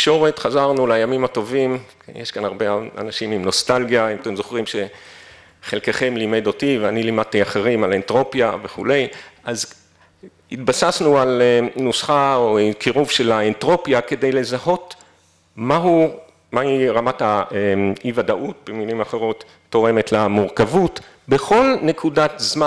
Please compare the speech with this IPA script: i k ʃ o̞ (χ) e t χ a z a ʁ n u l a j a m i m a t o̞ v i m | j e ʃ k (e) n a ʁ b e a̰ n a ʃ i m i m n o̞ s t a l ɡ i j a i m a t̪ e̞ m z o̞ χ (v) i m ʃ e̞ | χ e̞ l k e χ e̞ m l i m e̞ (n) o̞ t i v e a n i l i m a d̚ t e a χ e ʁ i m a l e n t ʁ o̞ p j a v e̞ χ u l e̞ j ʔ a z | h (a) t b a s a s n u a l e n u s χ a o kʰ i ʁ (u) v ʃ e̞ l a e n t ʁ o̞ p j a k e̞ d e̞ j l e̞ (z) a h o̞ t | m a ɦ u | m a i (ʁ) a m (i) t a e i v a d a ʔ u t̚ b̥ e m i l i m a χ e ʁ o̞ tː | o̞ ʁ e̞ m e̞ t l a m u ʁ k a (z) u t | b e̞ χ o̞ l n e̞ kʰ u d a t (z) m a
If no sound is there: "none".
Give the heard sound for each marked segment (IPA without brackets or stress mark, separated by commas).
ʁ, a, ʁ, d, i, u, z, ʁ, a, v, z